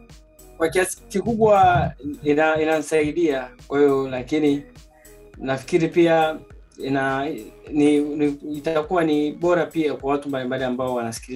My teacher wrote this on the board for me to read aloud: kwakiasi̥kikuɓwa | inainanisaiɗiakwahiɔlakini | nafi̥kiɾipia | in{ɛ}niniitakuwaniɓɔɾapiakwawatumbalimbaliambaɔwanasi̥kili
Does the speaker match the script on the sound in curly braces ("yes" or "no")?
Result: no